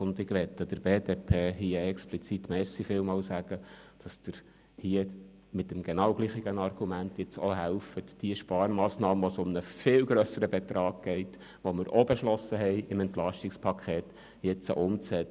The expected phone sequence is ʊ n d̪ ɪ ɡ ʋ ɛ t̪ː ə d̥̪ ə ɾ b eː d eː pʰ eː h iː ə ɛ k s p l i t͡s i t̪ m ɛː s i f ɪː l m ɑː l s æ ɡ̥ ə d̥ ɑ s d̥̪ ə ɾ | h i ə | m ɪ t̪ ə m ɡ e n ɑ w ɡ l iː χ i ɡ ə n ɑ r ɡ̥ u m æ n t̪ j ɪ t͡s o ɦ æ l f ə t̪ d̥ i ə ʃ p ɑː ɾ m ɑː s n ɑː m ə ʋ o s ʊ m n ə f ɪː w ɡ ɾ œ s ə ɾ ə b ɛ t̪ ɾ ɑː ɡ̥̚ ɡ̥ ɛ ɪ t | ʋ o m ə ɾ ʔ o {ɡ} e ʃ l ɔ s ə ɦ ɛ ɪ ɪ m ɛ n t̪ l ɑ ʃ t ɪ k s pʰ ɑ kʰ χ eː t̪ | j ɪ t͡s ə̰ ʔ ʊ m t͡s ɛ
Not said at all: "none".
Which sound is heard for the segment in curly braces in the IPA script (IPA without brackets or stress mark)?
b